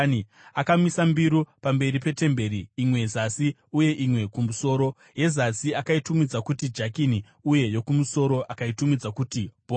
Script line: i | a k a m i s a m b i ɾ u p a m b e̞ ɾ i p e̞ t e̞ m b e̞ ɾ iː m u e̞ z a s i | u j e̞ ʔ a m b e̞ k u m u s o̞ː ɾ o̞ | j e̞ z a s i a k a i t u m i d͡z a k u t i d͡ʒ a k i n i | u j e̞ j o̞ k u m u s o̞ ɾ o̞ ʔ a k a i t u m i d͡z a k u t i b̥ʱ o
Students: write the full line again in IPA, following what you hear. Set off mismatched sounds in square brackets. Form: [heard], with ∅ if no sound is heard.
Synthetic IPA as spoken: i | a k a m i s a m b i ɾ u p a m b e̞ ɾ i p e̞ t e̞ m b e̞ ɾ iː m [w] e̞ z a s i | u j e̞ ʔ [i] m [w] e̞ k u m u s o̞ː ɾ o̞ | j e̞ z a s i a k a i t u m i d͡z a k u t i d͡ʒ a k i n i | u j e̞ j o̞ k u m u s o̞ ɾ o̞ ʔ a k a i t u m i d͡z a k u t i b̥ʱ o

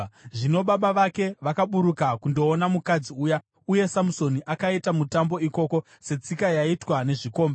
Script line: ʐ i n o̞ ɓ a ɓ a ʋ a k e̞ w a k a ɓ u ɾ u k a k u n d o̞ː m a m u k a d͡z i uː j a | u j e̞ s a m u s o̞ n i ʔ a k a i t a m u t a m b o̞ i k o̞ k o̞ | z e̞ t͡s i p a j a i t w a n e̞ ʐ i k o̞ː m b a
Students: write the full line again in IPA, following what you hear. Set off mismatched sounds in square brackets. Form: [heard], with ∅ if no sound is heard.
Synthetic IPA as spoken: ʐ i n o̞ ɓ a ɓ a ʋ a k e̞ [ʋ] a k a ɓ u ɾ u k a k u n d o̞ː [n] a m u k a d͡z i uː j a | u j e̞ s a m u s o̞ n i ʔ a k a i t a m u t a m b o̞ i k o̞ k o̞ | [s] e̞ t͡s i [k] a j a i t w a n e̞ ʐ i k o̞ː m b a

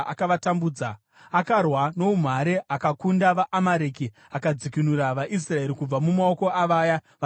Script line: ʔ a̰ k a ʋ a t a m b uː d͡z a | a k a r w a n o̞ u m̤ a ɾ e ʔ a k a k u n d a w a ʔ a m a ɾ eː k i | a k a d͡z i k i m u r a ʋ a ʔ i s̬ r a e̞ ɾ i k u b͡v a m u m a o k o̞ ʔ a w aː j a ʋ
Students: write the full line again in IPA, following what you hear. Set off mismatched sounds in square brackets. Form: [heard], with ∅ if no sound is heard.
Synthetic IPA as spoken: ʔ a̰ k a ʋ a t a m b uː d͡z a | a k a r w a n o̞ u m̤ a ɾ e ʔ a k a k u n d a [ʋ] a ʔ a m a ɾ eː k i | a k a d͡z i k i [n] u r a ʋ a ʔ i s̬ r a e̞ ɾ i k u b͡v a m u m a o k o̞ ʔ a [ʋ] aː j a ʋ

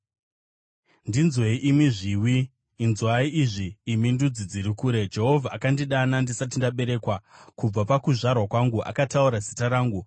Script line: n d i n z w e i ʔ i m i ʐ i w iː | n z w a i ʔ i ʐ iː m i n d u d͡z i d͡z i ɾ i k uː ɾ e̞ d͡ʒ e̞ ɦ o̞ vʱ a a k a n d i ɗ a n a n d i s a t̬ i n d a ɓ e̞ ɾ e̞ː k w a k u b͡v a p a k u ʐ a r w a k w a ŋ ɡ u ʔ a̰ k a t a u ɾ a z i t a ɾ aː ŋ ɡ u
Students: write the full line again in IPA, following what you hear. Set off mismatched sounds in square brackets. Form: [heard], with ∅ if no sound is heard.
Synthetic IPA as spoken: n d i n z w e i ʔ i m i ʐ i w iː | n z w a i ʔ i ʐ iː m i n d u d͡z i d͡z i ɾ i k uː ɾ e̞ d͡ʒ e̞ ɦ o̞ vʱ a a k a n d i ɗ a n a n d i s a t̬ i n d a ɓ e̞ ɾ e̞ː k w a k u b͡v a p a k u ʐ a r w a k w a ŋ ɡ u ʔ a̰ k a t a u ɾ a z i t a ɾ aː ŋ ɡ u

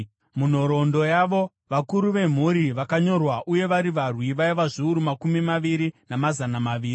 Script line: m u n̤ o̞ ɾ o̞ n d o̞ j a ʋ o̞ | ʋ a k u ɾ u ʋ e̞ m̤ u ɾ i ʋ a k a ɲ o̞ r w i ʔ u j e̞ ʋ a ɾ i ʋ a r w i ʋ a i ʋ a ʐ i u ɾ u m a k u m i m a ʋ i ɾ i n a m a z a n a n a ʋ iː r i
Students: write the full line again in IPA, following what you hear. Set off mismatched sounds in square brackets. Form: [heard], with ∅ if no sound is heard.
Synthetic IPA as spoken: m u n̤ o̞ ɾ o̞ n d o̞ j a ʋ o̞ | ʋ a k u ɾ u ʋ e̞ m̤ u ɾ i ʋ a k a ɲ o̞ r w [a] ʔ u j e̞ ʋ a ɾ i ʋ a r w i ʋ a i ʋ a ʐ i u ɾ u m a k u m i m a ʋ i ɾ i n a m a z a n a [m] a ʋ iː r i

